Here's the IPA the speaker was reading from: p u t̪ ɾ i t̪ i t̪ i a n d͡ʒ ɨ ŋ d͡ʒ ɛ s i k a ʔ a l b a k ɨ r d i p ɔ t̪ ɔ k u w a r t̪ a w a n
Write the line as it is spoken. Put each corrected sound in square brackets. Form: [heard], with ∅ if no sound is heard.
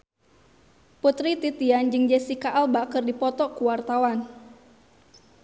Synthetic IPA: p u t̪ ɾ i t̪ i t̪ i a n d͡ʒ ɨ ŋ d͡ʒ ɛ s i k a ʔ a l b a k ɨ r d i p ɔ t̪ ɔ k u w a r t̪ a w a n